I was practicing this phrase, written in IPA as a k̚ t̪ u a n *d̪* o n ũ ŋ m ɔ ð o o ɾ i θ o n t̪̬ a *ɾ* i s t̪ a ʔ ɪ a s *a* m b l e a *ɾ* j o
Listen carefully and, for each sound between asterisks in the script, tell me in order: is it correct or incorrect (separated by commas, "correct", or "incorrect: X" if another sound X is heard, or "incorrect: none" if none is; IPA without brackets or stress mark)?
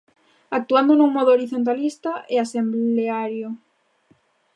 correct, incorrect: l, incorrect: e, correct